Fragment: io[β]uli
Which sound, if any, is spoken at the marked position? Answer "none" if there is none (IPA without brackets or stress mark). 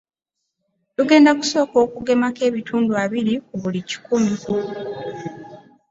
β